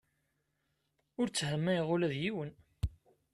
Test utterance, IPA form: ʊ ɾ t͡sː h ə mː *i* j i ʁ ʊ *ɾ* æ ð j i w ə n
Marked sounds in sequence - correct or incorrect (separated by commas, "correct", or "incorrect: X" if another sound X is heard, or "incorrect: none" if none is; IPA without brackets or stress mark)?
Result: incorrect: æ, incorrect: l